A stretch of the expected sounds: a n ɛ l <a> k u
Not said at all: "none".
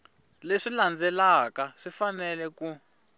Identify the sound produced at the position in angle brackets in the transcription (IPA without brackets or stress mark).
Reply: ɛ